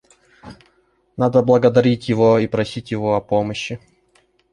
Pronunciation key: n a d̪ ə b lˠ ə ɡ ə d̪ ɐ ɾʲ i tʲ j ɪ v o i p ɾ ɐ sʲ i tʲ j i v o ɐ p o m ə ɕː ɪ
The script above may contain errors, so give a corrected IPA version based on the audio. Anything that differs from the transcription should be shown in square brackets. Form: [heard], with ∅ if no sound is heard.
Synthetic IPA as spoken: n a d̪ ə b lˠ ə ɡ ə d̪ ɐ ɾʲ i tʲ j ɪ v o i p ɾ ɐ sʲ i tʲ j [ɪ] v o ɐ p o m ə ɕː ɪ

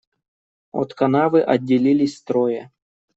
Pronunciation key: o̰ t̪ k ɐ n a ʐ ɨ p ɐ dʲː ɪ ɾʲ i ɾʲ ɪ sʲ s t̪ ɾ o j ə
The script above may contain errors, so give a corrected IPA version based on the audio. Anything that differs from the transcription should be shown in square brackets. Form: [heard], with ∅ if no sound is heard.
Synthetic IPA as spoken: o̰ t̪ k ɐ n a [v] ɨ [ʔ] ɐ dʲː ɪ [lʲ] i [lʲ] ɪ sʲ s t̪ ɾ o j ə

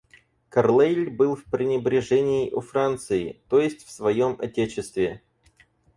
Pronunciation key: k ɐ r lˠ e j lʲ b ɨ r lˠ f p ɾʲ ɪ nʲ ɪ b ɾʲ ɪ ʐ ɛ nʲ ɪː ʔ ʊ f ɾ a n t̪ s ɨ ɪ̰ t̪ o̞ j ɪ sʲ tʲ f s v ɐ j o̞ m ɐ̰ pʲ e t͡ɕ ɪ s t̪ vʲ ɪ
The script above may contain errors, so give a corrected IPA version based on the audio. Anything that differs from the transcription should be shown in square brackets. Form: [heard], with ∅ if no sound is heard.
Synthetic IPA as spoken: k ɐ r lˠ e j lʲ b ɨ [∅] lˠ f p ɾʲ ɪ nʲ ɪ b ɾʲ ɪ ʐ ɛ nʲ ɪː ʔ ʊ f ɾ a n t̪ s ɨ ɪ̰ t̪ o̞ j ɪ sʲ tʲ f s v ɐ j o̞ m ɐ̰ [tʲ] e t͡ɕ ɪ s t̪ vʲ ɪ

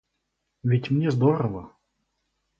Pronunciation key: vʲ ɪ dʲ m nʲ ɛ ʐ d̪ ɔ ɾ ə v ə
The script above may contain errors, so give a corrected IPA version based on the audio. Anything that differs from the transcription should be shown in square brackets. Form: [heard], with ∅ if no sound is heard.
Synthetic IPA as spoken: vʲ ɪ [tʲ] m nʲ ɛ [z] d̪ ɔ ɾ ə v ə

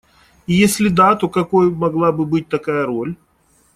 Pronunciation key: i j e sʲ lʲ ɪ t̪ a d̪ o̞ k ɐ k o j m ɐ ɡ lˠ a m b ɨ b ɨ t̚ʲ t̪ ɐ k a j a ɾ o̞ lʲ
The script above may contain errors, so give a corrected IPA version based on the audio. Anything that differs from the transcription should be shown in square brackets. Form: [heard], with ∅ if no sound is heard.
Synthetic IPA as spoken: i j e sʲ lʲ ɪ [d̪] a [t̪] o̞ k ɐ k o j m ɐ ɡ lˠ a [∅] b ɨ b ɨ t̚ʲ t̪ ɐ k a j [ə] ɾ o̞ lʲ

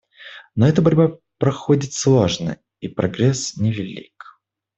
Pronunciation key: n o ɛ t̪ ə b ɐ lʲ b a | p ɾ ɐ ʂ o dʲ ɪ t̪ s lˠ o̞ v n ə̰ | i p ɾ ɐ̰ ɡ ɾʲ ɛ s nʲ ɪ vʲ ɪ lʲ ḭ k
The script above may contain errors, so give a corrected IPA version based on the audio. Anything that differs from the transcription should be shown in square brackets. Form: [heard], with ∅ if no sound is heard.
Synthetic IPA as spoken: n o ɛ t̪ ə b ɐ [ɾʲ] b a | p ɾ ɐ [x] o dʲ ɪ t̪ s lˠ o̞ [ʐ] n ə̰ | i p ɾ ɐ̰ ɡ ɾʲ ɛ s nʲ ɪ vʲ ɪ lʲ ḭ k

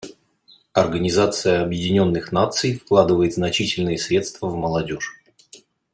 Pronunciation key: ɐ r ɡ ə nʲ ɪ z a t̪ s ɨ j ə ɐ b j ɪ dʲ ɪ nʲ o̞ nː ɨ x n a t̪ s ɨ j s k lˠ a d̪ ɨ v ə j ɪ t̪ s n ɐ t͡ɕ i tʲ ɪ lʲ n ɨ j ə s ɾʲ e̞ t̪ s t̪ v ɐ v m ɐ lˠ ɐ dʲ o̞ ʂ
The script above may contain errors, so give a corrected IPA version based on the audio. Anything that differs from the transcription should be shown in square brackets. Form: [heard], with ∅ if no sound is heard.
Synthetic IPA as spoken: ɐ r ɡ ə nʲ ɪ z a t̪ s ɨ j ə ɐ b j ɪ dʲ ɪ nʲ o̞ nː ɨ x n a t̪ s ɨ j [f] k lˠ a d̪ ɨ v ə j ɪ t̪ [z] n ɐ t͡ɕ i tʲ ɪ lʲ n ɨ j ə s ɾʲ e̞ t̪ s t̪ v [ə] v m [ə] lˠ ɐ dʲ o̞ ʂ

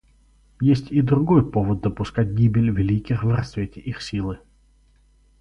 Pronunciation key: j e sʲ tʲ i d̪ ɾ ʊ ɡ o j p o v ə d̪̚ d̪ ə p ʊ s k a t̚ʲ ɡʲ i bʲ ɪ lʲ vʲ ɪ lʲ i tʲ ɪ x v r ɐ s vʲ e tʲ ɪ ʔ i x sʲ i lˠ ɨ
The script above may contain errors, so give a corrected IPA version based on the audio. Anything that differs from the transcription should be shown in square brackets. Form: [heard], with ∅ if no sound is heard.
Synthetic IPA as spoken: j e sʲ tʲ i d̪ ɾ ʊ ɡ o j p o v ə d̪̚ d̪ ə p ʊ s k a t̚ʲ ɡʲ i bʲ ɪ lʲ vʲ ɪ lʲ i [kʲ] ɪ x v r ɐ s vʲ e tʲ ɪ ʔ i x sʲ i lˠ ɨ

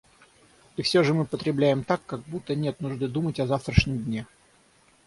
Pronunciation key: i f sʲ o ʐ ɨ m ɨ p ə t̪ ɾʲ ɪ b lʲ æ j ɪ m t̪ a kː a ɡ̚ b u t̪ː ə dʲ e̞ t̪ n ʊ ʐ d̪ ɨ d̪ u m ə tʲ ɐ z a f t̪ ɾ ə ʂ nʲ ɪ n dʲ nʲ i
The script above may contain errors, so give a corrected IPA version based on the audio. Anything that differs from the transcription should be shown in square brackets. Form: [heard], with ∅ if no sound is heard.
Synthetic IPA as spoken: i f sʲ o ʐ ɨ m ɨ p ə t̪ ɾʲ ɪ b lʲ æ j ɪ m t̪ a kː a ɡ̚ b u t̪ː ə [nʲ] e̞ t̪ n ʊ ʐ d̪ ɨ d̪ u m ə tʲ ɐ z a f t̪ ɾ ə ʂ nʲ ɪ [m] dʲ nʲ [e]

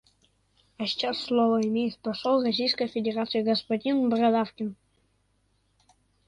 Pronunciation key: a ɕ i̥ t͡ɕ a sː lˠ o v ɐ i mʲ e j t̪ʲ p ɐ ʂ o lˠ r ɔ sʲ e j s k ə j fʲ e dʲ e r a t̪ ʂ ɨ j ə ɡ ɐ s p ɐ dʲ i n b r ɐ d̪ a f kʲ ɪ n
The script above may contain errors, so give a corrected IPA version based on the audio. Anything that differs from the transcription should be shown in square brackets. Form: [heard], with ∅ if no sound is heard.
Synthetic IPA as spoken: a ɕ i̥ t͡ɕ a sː lˠ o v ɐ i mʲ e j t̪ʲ p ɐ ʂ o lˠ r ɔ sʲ [i] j s k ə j fʲ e dʲ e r a t̪ [s] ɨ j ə ɡ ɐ s p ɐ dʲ i n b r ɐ d̪ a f kʲ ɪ n

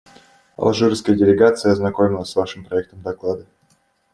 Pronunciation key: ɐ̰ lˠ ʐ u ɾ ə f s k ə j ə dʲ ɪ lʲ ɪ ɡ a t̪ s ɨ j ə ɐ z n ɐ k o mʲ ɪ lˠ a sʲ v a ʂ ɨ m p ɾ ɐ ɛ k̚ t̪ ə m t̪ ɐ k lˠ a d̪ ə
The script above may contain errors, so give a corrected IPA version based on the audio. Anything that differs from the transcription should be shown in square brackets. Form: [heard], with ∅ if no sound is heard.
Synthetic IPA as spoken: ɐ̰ lˠ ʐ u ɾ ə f s k ə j ə dʲ ɪ lʲ ɪ ɡ a t̪ s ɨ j ə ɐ z n ɐ k o mʲ ɪ lˠ [ə] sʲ v a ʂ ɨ m p ɾ ɐ ɛ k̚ t̪ ə m [d̪] ɐ k lˠ a d̪ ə

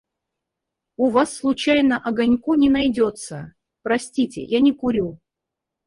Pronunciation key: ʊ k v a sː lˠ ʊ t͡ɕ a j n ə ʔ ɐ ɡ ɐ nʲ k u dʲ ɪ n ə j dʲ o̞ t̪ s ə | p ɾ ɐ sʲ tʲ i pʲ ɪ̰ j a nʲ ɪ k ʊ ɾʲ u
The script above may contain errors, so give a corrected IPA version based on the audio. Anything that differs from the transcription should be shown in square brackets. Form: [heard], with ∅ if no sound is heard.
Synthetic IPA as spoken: ʊ [∅] v a sː lˠ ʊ t͡ɕ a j n ə ʔ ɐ ɡ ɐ nʲ k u [nʲ] ɪ n [ɐ] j dʲ o̞ t̪ s ə | p ɾ ɐ sʲ tʲ i [tʲ] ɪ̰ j a nʲ ɪ k ʊ ɾʲ u

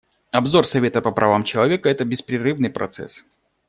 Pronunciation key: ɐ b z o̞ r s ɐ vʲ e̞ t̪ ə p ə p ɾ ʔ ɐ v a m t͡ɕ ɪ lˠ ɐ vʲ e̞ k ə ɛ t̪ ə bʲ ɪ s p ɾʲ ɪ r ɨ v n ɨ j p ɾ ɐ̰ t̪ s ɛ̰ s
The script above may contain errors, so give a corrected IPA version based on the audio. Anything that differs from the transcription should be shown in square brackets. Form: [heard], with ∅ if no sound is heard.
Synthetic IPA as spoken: ɐ b z o̞ r s ɐ vʲ e̞ t̪ ə p ə p ɾ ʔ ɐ v a m t͡ɕ ɪ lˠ ɐ vʲ e̞ k ə ɛ t̪ ə bʲ ɪ s p ɾʲ ɪ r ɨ v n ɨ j p ɾ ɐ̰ t̪ s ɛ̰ s

